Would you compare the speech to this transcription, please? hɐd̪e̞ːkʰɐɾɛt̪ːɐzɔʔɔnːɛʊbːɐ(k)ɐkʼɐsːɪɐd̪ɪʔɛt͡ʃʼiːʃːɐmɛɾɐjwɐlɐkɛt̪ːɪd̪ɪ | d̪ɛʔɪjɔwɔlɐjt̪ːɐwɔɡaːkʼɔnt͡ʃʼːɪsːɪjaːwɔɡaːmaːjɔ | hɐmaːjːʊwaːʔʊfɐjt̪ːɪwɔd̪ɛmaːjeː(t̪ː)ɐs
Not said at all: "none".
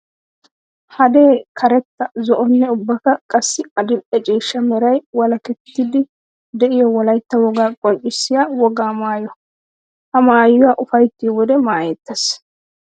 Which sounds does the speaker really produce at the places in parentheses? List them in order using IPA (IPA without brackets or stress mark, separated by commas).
k, t̪ː